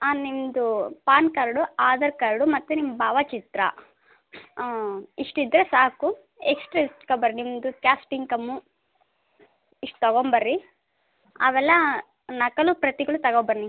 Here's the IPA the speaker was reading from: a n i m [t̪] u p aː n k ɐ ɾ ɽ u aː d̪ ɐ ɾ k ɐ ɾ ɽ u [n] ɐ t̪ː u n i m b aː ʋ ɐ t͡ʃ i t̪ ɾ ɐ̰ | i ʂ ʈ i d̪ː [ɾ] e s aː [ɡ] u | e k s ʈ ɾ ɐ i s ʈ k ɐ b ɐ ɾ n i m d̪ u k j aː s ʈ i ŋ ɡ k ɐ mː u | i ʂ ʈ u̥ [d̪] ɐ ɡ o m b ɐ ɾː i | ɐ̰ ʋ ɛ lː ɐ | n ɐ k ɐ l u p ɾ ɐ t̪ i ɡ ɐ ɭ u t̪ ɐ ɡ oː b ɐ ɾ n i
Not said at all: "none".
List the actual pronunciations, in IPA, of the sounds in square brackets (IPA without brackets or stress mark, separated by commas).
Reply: d̪, m, ɾ, k, t̪